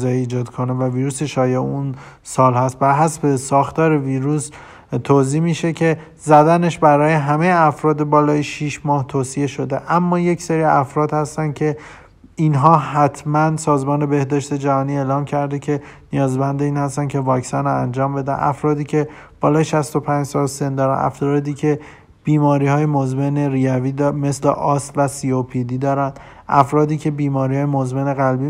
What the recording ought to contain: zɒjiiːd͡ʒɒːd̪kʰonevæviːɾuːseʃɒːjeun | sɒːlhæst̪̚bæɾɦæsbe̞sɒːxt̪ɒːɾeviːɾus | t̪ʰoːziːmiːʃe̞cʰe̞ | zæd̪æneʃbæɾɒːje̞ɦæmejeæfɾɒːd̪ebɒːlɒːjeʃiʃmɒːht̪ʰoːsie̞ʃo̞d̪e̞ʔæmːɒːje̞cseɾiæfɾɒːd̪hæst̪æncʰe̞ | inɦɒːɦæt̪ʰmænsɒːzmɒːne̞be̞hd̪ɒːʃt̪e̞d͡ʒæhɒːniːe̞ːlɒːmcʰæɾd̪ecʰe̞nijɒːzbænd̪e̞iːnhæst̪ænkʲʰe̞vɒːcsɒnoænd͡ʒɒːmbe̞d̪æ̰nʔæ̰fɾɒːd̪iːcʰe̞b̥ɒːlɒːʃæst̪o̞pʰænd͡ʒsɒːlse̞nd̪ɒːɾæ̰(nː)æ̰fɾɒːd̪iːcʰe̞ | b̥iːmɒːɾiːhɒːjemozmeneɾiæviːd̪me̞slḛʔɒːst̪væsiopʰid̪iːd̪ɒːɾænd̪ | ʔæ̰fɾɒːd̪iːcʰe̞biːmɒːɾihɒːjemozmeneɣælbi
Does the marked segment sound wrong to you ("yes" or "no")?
yes